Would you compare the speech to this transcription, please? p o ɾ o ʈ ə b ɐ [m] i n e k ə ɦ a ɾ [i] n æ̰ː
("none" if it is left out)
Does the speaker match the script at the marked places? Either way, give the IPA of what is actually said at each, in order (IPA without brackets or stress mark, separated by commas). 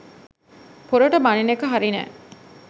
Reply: n, i